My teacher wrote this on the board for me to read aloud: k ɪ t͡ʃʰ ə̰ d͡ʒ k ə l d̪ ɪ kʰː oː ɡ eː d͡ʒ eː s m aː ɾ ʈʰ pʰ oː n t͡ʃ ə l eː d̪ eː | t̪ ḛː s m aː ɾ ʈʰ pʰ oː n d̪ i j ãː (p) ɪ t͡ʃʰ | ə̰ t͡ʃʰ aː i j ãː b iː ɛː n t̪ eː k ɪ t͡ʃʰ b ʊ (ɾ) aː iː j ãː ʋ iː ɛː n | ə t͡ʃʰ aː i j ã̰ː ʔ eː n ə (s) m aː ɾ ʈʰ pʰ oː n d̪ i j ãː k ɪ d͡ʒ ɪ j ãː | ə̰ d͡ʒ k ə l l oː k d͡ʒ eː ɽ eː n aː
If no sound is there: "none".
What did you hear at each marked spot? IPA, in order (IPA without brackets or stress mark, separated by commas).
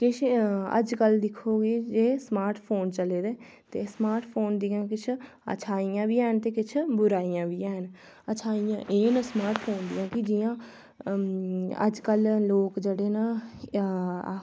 k, ɾ, s